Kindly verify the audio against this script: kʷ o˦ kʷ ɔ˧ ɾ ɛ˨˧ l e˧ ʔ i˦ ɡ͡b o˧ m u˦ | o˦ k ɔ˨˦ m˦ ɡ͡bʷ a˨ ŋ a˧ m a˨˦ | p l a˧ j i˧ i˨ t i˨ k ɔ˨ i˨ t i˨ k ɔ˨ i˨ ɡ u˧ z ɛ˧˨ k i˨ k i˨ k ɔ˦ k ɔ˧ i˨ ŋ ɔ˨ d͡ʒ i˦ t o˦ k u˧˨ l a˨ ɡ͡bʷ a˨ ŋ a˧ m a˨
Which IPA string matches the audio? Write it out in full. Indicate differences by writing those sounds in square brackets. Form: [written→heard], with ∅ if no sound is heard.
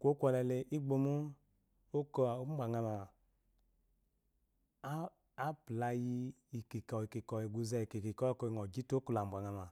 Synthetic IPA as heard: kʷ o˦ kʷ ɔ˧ [ɾ→l] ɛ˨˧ l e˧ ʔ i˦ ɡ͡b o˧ m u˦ | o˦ k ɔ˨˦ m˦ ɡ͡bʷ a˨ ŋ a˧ m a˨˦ | p l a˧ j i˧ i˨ [t→k] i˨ k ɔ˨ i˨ [t→k] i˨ k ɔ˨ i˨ ɡ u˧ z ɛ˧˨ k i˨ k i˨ k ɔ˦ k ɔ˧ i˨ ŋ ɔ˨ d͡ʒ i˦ t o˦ k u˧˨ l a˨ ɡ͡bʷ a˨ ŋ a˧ m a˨